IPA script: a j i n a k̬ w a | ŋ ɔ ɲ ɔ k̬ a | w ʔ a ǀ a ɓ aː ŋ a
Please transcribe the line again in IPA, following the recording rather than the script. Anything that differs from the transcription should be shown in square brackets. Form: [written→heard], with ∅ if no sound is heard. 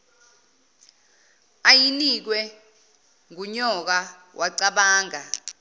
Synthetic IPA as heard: a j i n [a→i] k̬ w [a→ɛ] | ŋ [ɔ→u] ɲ ɔ k̬ a | w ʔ a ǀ a ɓ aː ŋ a